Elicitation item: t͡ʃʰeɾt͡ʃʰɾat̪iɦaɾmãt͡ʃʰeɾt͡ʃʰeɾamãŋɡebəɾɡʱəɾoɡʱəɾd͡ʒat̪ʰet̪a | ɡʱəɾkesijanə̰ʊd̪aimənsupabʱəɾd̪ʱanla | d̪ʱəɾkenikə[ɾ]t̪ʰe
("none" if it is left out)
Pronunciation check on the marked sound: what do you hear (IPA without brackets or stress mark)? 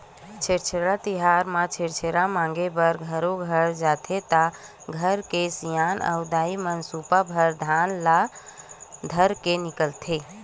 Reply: l